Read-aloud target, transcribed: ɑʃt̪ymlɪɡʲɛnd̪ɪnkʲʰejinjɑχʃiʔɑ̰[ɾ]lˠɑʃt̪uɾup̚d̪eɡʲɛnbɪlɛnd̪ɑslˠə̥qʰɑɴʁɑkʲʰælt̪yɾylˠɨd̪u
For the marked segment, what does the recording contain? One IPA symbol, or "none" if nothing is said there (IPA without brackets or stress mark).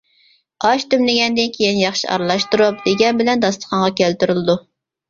ɾ